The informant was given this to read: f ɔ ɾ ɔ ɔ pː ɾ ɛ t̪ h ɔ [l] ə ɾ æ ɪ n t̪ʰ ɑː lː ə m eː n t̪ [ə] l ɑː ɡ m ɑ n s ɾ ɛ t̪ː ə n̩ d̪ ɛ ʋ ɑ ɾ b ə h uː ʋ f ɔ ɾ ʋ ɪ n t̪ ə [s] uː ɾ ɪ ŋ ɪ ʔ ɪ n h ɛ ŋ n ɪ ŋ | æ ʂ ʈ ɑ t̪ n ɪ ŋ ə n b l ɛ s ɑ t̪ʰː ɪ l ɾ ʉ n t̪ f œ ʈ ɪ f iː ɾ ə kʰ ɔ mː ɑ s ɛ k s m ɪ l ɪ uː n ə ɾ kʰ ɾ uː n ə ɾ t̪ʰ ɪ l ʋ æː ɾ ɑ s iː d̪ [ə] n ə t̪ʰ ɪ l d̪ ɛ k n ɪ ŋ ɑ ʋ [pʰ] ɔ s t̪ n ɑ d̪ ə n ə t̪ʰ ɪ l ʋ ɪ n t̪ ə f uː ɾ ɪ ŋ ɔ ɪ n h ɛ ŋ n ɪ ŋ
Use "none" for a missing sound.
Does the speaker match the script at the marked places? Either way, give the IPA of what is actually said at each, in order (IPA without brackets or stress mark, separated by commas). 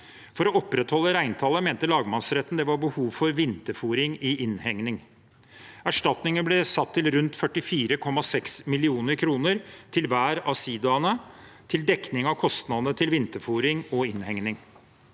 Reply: lː, ə, f, ɑ, kʰ